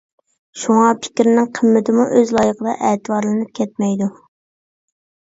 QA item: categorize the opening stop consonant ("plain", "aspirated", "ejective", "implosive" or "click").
aspirated